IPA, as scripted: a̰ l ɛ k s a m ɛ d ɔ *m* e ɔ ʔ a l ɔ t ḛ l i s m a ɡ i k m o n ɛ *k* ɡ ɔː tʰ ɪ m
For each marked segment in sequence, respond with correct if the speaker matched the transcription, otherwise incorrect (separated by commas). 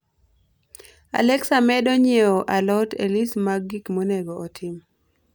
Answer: incorrect, incorrect